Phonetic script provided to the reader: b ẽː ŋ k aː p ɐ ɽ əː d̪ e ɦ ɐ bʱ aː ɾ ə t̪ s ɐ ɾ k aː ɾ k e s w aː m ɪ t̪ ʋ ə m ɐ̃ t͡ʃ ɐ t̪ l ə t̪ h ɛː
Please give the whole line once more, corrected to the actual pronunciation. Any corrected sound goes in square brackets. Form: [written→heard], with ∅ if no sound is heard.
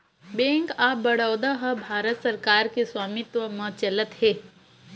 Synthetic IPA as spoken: b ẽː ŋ k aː [p→b] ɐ ɽ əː d̪ [e→a] ɦ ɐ bʱ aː ɾ ə t̪ s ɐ ɾ k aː ɾ k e s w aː m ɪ t̪ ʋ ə m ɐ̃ t͡ʃ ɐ [t̪→∅] l ə t̪ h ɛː

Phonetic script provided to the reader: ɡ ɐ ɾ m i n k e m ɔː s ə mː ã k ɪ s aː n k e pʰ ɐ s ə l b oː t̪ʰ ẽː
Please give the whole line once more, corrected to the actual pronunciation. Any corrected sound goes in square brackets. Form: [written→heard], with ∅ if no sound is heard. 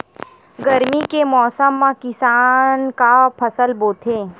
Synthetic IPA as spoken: ɡ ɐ ɾ m i [n→∅] k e m ɔː s ə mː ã k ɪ s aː n k [e→a] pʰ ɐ s ə l b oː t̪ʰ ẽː

